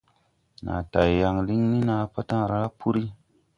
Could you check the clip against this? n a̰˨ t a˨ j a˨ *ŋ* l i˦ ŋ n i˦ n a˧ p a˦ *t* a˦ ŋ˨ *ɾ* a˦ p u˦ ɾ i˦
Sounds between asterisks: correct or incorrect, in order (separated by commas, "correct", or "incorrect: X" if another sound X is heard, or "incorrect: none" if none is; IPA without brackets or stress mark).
correct, correct, correct